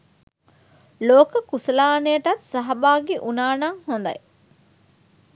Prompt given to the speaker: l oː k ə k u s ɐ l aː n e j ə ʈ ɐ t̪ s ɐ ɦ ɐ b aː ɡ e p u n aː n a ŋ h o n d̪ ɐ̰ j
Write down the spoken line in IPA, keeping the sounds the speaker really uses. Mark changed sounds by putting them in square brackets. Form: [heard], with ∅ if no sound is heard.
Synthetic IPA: l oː k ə k u s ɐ l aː n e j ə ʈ ɐ t̪ s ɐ ɦ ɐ b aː ɡ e [ʔ] u n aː n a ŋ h o n d̪ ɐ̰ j